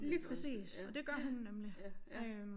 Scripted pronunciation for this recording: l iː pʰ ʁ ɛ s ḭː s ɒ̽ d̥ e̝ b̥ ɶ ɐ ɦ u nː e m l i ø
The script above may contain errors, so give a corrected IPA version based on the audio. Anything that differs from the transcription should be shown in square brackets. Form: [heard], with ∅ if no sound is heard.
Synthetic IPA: l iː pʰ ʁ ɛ s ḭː s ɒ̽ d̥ e̝ [ɡ̥] ɶ ɐ ɦ u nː e m l i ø